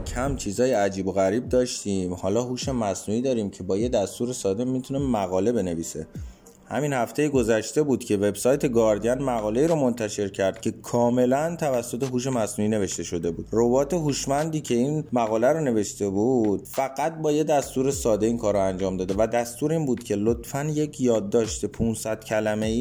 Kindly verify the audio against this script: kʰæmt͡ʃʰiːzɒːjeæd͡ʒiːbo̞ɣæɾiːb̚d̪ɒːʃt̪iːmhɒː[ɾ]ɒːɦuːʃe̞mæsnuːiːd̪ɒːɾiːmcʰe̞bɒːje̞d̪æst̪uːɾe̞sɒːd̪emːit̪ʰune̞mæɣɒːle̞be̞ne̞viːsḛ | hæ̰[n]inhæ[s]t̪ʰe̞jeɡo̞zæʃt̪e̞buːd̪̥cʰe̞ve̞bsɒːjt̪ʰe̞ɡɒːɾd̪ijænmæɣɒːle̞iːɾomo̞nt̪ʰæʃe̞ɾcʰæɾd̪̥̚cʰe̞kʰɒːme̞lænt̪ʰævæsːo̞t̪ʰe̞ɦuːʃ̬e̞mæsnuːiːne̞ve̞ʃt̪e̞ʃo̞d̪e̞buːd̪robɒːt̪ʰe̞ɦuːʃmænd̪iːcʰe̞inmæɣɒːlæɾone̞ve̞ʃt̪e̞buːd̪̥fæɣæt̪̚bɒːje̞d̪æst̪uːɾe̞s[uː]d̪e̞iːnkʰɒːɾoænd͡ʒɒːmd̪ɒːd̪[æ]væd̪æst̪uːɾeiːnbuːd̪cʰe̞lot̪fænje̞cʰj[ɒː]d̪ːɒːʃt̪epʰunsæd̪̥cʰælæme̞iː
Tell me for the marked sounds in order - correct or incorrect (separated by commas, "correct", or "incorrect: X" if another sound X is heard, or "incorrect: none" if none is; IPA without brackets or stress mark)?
incorrect: l, incorrect: m, incorrect: f, incorrect: ɒː, incorrect: e, correct